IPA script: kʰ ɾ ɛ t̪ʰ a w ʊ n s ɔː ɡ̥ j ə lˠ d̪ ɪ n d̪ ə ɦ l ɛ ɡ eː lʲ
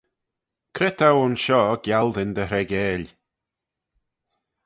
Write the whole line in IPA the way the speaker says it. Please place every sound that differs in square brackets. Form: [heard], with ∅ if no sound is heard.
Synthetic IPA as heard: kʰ ɾ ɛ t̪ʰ a w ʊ n [ʃ] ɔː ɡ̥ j [a] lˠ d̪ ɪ n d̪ ə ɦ [ɾ] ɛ ɡ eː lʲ